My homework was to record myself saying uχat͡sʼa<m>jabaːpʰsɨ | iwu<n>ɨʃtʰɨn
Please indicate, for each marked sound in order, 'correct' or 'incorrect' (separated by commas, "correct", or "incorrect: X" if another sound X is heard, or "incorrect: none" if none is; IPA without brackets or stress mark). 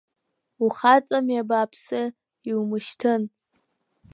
correct, incorrect: m